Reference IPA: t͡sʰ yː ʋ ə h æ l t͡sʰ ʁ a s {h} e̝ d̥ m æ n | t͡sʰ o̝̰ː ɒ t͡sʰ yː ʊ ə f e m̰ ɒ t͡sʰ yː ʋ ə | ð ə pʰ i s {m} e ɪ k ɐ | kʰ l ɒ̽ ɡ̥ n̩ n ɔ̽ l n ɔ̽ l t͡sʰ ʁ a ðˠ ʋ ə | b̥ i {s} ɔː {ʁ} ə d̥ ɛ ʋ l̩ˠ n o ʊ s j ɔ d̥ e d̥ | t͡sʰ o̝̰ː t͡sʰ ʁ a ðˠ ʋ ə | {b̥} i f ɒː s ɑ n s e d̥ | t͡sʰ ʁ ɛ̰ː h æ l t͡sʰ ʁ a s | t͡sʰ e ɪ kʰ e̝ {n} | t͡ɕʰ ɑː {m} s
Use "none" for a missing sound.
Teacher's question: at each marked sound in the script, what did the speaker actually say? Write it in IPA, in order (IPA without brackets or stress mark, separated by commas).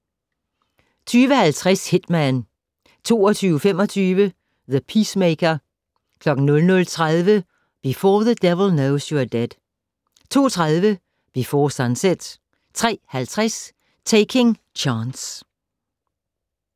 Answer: h, m, f, ð, b̥, ŋ, n